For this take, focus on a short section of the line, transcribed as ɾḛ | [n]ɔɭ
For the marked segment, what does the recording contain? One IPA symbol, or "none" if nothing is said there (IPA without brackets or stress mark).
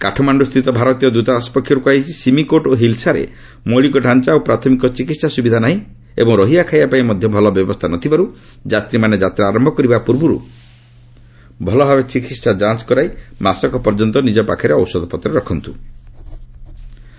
m